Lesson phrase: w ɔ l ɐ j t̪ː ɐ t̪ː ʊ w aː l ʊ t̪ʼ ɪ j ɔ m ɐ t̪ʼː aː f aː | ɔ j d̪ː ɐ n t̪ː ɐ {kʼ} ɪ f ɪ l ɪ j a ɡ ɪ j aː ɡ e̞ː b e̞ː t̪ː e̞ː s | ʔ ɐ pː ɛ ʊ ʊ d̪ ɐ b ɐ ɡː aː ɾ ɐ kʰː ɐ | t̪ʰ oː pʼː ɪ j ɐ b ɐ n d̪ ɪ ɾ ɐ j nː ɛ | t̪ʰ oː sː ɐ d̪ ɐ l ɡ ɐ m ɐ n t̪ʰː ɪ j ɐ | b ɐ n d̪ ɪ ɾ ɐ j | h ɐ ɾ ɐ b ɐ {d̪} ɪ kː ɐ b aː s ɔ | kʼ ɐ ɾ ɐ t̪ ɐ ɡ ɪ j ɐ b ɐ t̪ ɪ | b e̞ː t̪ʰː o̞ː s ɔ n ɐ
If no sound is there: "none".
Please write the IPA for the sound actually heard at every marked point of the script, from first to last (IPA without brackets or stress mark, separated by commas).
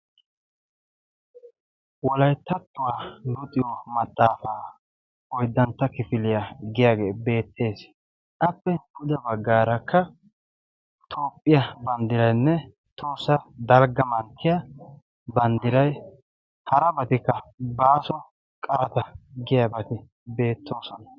k, t̪